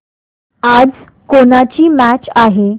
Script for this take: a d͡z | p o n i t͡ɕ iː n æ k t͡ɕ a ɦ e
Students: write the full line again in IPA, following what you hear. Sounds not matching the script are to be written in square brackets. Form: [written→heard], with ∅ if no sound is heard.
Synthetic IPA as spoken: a d͡z | [p→k] o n [i→a] t͡ɕ iː [n→m] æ [k→∅] t͡ɕ a ɦ e

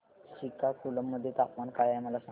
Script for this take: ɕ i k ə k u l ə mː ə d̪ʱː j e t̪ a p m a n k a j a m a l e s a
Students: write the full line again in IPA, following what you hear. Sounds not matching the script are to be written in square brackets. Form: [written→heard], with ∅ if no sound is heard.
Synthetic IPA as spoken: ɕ i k [ə→a] k u l ə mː ə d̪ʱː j e t̪ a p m a n k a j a m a l [e→a] s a

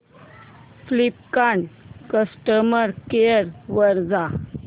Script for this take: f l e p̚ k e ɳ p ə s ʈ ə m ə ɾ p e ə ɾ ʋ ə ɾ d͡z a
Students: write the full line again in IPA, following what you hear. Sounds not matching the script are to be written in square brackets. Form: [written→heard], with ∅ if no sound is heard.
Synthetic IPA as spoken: f l [e→i] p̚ k [e→a] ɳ [p→k] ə s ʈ ə m ə ɾ [p→k] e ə ɾ ʋ ə ɾ d͡z a

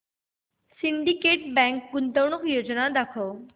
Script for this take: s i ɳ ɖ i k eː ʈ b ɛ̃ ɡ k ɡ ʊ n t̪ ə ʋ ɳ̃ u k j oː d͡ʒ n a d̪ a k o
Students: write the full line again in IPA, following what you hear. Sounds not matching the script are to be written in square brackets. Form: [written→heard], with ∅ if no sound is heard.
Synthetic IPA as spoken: s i ɳ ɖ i k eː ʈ b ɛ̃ [ɡ→ŋ] k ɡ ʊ n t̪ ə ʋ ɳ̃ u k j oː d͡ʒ n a d̪ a [k→kʰ] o

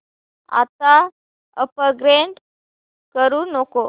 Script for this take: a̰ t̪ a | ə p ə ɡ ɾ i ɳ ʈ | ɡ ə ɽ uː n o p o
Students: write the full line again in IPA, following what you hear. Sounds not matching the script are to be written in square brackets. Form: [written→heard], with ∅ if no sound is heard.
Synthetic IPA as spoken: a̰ t̪ a | ə p ə ɡ ɾ [i→e] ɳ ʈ | [ɡ→k] ə [ɽ→ɾ] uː n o [p→k] o

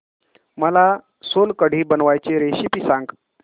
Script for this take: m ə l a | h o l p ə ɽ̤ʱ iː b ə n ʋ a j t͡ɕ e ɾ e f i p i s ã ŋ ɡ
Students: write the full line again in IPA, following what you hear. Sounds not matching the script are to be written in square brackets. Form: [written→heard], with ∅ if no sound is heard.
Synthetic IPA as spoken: m ə l a | [h→s] o l [p→k] ə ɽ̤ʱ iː b ə n ʋ a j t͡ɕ e ɾ e [f→ɕ] i p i s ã ŋ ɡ

